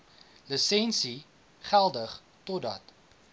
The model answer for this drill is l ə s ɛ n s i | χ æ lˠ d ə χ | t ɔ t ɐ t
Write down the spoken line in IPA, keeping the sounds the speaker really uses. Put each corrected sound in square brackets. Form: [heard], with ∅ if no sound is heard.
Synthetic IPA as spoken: l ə s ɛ n s i | χ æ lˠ d ə χ | t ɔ [d] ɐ t